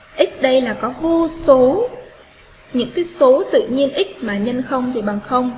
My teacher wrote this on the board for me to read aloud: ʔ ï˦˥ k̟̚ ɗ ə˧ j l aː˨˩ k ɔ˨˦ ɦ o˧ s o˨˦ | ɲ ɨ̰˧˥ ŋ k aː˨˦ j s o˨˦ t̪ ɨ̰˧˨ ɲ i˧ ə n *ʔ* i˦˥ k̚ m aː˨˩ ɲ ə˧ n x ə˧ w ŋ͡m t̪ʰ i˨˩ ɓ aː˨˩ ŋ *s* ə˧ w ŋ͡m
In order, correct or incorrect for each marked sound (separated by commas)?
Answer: correct, incorrect